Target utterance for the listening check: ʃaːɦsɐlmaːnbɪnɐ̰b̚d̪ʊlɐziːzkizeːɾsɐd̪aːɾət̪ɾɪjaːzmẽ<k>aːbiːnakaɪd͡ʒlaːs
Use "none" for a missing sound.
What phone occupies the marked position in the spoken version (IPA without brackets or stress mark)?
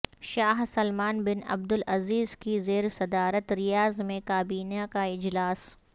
k